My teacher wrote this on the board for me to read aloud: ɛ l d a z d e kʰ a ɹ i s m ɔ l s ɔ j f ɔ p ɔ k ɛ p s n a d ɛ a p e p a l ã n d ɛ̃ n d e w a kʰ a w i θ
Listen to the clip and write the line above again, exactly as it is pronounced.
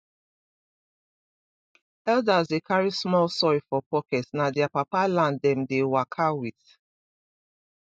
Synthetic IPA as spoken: ɛ l d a z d e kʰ a ɹ i s m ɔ l s ɔ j f ɔ p ɔ k ɛ t s n a d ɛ a p a p a l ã n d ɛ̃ m d e w a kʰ a w i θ